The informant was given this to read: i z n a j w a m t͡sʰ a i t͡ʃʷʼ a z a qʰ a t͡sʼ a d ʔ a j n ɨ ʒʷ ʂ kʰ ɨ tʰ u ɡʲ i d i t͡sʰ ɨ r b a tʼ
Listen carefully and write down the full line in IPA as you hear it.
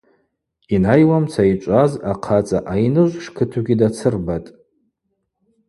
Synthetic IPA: i n a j w a m t͡sʰ a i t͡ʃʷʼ a z a qʰ a t͡sʼ a ʔ a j n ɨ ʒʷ ʂ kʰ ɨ tʰ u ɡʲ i d a t͡sʰ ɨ r b a tʼ